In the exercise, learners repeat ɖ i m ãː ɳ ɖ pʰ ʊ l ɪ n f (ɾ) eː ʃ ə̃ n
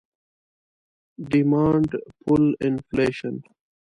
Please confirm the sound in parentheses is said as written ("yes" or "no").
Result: no